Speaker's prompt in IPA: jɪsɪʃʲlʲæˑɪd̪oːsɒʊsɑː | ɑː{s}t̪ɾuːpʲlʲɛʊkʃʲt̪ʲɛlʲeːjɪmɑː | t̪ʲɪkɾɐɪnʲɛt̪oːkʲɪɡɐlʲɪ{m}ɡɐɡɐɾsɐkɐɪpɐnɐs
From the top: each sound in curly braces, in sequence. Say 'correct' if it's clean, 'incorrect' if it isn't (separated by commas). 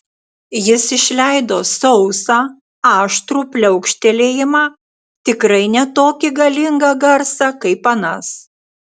incorrect, incorrect